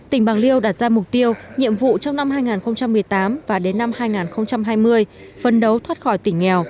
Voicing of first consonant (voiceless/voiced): voiceless